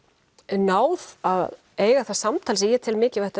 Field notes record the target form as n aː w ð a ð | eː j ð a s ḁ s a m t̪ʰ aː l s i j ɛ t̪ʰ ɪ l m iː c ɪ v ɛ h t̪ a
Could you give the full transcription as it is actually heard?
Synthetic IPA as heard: n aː w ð a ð | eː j ɣ a θ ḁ s a m t̪ʰ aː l s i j ɛ t̪ʰ ɪ l m ɪː c ɪ v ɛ h t̪ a

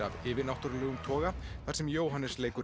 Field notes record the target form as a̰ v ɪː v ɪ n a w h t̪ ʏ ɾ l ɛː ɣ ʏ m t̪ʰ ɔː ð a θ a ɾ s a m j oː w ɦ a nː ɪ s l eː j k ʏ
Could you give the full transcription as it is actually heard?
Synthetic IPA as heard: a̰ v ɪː v ɪ n a w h t̪ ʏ ɾ l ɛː ɣ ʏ m t̪ʰ ɔː ɣ a θ a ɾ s ɛ m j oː w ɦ a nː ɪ s l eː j k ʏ

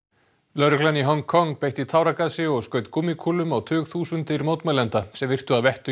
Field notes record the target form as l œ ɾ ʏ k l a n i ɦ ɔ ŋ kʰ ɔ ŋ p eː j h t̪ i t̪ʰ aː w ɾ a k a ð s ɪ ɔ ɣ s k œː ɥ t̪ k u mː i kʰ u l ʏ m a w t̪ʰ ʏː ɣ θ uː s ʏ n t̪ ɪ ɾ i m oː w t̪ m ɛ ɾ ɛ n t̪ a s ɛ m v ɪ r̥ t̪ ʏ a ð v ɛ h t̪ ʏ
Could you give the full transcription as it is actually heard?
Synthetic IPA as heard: l œ ɾ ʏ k l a n i ɦ ɔ ŋ kʰ ɔ ŋ p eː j h t̪ i t̪ʰ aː w ɾ a k a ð s ɪ ɔ ɣ s k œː ɥ t̪ k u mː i kʰ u l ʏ m a w t̪ʰ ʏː ɣ θ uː s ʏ n t̪ ɪ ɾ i m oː w t̪ m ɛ l ɛ n t̪ a s ɛ m v ɪ r̥ t̪ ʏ a ð v ɛ h t̪ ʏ

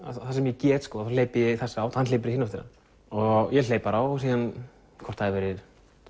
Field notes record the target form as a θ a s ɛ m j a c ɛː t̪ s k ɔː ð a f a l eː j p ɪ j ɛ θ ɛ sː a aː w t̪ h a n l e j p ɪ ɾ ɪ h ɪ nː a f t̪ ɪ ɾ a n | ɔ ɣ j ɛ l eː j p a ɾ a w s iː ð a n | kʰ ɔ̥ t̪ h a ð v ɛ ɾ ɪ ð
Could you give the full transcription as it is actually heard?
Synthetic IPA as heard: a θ a s ɛ m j ɛ c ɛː t̪ s k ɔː ð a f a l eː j p ɪ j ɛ θ ɛ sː a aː w t̪ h a n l e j p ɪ ɾ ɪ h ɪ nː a f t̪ ɪ ɾ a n | ɔ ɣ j ɛ l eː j p a ɾ a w s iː ð a n | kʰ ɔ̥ t̪ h a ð v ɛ ɾ ɪ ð

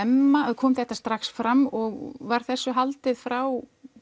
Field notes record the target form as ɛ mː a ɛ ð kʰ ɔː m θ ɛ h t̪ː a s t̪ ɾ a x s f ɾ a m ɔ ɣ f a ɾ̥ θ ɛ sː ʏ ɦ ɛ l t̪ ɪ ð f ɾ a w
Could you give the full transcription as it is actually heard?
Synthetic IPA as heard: ɛ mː a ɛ ð kʰ ɔː m θ ɛ h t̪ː a s t̪ ɾ a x s f ɾ a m ɔ ɣ v a ɾ̥ θ ɛ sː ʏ ɦ a l t̪ ɪ ð f ɾ a w

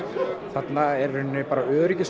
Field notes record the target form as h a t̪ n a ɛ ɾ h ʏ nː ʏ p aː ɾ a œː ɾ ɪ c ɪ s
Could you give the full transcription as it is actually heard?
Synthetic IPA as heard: θ a t̪ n a ɛ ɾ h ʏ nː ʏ p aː ɾ a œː ɾ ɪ c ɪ s

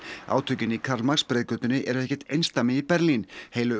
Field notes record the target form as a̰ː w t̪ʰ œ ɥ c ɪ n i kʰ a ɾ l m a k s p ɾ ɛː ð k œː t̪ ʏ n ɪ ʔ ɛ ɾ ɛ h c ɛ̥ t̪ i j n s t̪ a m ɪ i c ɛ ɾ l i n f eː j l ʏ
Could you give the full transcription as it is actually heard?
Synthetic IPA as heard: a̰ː w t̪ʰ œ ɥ c ɪ n i kʰ a ɾ l m a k s p ɾ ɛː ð k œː t̪ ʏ n ɪ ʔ ɛ ɾ ɛ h c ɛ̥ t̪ e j n s t̪ a m ɪ i p ɛ ɾ l i n h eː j l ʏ

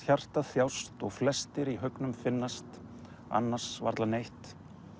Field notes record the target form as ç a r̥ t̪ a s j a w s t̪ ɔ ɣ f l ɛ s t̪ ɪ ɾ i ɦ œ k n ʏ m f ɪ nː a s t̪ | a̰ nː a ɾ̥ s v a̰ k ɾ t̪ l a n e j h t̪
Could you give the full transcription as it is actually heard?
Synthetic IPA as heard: ç a r̥ t̪ a θ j a w s t̪ ɔ ɣ f l ɛ s t̪ ɪ ɾ i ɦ œ k n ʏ m f ɪ nː a s t̪ | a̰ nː a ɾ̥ s v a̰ ɾ t̪ l a n e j h t̪

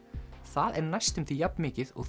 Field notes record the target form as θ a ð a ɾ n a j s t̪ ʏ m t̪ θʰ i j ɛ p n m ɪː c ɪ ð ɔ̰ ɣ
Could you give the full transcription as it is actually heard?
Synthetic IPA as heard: θ a ð ɛ ɾ n a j s t̪ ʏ m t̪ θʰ i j a p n m ɪː c ɪ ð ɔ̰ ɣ

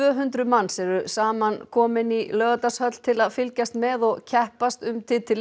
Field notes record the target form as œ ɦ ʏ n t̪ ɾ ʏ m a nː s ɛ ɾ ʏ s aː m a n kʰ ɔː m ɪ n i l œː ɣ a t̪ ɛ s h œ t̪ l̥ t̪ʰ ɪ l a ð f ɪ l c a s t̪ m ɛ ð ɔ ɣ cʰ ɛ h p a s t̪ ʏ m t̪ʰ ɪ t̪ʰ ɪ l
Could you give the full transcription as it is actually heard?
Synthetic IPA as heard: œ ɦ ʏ n t̪ ɾ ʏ m a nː s ɛ ɾ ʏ s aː m a n kʰ ɔː m ɪ n i l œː ɣ a t̪ a s h œ t̪ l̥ t̪ʰ ɪ l a ð f ɪ l c a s t̪ m ɛ ð ɔ ɣ cʰ ɛ h p a s t̪ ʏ m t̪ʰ ɪ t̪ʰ ɪ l

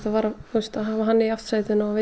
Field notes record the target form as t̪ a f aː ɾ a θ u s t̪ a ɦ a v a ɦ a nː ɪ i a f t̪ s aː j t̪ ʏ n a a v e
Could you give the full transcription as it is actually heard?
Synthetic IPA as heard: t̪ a v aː ɾ a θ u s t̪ a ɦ a v a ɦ a nː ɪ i a f t̪ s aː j t̪ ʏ n a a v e

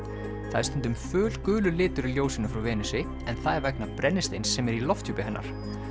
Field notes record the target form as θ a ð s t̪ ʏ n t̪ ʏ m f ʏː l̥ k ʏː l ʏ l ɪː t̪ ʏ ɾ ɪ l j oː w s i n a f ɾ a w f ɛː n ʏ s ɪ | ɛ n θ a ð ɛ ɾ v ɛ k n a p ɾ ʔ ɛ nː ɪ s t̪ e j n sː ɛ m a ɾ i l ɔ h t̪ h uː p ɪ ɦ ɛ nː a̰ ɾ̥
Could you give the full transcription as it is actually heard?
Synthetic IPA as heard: θ a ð s t̪ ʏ n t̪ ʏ m f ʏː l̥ k ʏː l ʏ l ɪː t̪ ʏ ɾ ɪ l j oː w s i n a f ɾ a w v ɛː n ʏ s ɪ | ɛ n θ a ð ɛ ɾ v ɛ k n a p ɾ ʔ ɛ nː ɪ s t̪ e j n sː ɛ m ɛ ɾ i l ɔ f t̪ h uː p ɪ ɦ ɛ nː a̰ ɾ̥

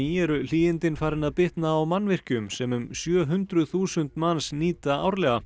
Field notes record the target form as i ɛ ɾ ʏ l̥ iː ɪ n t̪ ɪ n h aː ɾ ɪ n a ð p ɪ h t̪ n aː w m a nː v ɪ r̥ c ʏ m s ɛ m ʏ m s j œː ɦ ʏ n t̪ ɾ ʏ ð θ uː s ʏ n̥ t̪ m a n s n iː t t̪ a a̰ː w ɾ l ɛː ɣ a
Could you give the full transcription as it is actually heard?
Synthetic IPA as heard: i ɛ ɾ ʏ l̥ iː ɪ n t̪ ɪ n f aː ɾ ɪ n a ð p ɪ h t̪ n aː w m a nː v ɪ r̥ c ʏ m s ɛ m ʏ m s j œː ɦ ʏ n t̪ ɾ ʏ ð θ uː s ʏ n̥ t̪ m a n s n iː t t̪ a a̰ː w ɾ l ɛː ɣ a

